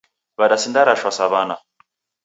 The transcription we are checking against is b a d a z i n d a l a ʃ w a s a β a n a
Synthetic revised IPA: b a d a s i n d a ɾ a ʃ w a s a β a n a